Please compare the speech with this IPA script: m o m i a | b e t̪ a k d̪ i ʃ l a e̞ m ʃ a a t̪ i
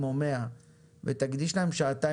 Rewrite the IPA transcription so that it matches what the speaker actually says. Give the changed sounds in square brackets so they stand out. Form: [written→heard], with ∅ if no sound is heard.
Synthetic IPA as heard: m o m [i→e] a | [b→v] e t̪ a [k→ɡ] d̪ i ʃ l a e̞ m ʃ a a t̪ [i→a]